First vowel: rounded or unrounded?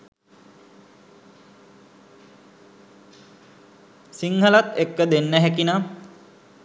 unrounded